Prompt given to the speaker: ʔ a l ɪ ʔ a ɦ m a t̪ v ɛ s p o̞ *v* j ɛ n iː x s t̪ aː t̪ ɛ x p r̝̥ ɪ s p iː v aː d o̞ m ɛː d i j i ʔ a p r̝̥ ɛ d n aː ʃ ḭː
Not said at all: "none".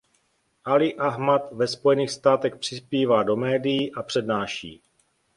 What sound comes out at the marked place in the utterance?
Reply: none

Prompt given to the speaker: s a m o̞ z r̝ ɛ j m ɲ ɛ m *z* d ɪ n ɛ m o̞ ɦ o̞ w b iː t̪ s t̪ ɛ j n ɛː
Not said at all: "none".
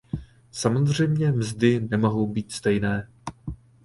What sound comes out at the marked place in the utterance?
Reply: z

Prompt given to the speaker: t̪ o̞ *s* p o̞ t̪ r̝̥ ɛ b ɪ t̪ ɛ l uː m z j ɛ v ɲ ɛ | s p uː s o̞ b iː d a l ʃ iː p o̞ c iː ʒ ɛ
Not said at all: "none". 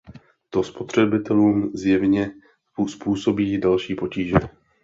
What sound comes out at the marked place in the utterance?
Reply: s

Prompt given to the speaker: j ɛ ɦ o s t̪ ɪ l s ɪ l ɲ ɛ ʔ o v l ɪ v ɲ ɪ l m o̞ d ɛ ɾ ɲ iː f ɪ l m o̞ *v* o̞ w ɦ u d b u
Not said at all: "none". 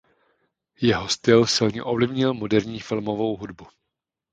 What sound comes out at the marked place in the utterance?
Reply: v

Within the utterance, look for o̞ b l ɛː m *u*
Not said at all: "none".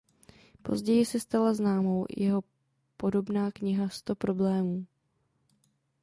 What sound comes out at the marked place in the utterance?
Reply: uː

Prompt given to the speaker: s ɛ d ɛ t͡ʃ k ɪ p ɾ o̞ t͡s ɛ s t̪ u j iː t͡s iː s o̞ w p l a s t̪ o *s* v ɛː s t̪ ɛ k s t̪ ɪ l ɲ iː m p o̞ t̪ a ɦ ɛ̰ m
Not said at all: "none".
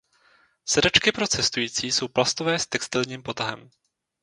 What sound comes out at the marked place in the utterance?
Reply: none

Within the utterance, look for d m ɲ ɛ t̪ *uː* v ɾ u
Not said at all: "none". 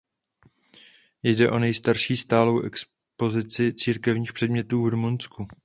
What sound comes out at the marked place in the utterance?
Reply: uː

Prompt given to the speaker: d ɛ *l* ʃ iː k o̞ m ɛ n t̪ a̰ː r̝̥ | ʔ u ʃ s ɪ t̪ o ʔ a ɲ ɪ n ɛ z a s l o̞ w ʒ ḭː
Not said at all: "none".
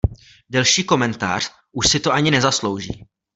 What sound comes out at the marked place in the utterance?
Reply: l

